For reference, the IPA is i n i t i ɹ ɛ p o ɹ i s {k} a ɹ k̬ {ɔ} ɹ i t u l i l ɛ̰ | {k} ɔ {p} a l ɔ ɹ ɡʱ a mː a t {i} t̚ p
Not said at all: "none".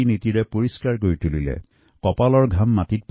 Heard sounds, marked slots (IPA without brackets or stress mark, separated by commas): k, o, k, p, i